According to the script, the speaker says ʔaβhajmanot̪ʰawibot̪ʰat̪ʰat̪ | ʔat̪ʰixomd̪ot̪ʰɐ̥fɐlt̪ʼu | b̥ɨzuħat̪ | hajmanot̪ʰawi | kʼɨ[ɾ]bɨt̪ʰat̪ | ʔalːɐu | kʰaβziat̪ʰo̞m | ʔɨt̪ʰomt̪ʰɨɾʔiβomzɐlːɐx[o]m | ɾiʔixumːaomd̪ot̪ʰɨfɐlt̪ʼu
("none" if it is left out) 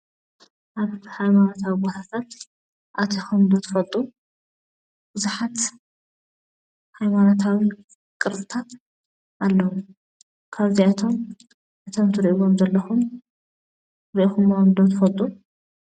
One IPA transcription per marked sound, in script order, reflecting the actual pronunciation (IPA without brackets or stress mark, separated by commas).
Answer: ɾ, u